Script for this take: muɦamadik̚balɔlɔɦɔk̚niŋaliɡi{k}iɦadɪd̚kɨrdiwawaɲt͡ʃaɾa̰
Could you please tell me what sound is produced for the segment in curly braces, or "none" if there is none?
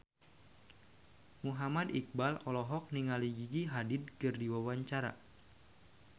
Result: ɡ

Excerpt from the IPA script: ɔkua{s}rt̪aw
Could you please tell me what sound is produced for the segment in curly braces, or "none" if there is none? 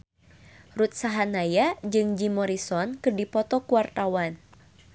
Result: none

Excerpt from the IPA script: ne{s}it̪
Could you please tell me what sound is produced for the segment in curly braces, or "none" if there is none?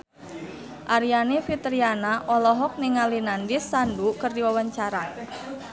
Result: f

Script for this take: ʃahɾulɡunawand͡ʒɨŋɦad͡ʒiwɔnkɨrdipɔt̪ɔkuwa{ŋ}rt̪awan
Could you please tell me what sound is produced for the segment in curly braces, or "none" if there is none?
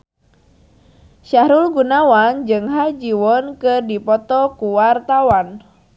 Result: none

